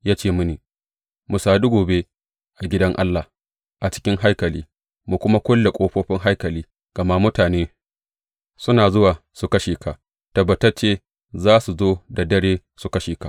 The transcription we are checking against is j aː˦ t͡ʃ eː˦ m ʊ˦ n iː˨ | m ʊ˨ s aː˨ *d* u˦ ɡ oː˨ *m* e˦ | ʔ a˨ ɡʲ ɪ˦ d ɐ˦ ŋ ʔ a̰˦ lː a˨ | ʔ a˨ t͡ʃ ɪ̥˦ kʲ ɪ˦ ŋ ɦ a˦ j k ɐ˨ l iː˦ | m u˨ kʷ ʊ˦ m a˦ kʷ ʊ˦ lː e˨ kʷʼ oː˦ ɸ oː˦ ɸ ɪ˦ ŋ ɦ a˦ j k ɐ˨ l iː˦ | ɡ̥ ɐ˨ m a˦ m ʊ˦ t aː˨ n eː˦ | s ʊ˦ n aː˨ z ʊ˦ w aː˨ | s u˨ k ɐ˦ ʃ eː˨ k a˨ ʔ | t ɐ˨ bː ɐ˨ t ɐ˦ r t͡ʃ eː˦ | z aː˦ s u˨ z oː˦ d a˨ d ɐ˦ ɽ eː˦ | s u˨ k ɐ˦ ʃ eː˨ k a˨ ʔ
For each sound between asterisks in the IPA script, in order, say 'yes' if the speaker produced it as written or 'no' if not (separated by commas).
yes, no